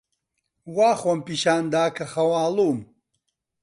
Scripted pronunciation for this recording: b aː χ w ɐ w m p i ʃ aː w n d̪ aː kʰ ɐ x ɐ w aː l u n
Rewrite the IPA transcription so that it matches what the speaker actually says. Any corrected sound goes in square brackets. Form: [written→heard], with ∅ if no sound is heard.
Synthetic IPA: [b→w] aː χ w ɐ [w→∅] m p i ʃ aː [w→∅] n d̪ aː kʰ ɐ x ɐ w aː l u [n→m]